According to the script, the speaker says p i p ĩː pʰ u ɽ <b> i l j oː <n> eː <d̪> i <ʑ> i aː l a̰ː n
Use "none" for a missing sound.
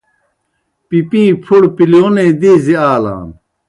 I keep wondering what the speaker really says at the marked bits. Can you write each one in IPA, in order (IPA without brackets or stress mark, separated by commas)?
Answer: p, n, d̪, z